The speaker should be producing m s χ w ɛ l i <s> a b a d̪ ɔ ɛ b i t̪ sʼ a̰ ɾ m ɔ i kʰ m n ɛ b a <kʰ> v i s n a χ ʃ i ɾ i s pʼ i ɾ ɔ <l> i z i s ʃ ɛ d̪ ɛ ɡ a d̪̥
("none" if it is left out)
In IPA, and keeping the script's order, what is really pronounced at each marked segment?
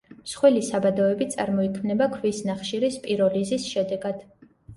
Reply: s, kʰ, l

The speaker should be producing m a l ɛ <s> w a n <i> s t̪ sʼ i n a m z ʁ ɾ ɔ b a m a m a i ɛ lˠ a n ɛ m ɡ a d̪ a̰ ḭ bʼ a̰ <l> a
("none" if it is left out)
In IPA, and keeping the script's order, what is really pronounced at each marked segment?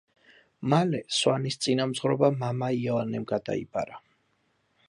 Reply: s, i, ɾ

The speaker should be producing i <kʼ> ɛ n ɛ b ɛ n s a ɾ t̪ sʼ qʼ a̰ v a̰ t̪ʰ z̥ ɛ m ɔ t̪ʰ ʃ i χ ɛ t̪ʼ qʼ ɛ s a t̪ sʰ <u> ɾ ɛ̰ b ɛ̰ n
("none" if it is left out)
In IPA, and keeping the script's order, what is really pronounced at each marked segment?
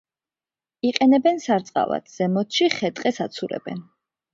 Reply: qʼ, u

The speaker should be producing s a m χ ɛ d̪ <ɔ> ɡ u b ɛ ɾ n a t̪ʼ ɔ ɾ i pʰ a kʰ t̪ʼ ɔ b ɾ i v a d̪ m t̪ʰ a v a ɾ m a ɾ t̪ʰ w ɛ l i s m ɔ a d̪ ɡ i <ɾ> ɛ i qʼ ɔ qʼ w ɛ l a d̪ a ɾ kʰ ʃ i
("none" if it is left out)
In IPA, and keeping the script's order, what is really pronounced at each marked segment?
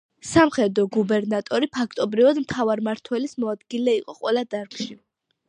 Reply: ɔ, l

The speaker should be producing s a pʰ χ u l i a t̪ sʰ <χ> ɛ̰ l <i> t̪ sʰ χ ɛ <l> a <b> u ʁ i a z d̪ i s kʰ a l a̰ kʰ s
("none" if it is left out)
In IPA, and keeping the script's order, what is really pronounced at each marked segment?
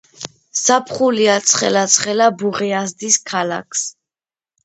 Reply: χ, a, l, b

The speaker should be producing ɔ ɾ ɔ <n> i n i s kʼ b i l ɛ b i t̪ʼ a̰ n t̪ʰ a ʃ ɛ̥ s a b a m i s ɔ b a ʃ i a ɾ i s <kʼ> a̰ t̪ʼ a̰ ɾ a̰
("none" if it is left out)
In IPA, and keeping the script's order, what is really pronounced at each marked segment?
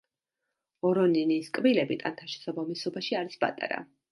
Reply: n, pʼ

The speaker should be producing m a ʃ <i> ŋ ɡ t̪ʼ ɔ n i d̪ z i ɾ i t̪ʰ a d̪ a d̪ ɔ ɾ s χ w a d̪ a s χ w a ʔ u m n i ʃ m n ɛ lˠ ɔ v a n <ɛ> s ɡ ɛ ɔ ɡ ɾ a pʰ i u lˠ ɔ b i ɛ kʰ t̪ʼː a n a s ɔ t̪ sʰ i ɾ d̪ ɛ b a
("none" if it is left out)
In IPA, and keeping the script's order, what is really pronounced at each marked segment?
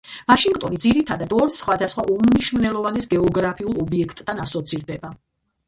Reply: i, ɛ

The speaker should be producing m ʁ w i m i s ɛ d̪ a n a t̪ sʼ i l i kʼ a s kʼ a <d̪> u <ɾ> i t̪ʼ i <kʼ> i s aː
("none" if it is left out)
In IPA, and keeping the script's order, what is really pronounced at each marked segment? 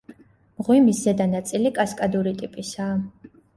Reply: d̪, ɾ, pʼ

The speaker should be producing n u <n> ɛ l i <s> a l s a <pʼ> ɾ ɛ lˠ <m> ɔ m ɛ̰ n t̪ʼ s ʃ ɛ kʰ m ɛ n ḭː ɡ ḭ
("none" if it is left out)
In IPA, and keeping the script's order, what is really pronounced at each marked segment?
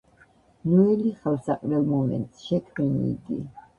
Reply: none, χ, qʼ, m

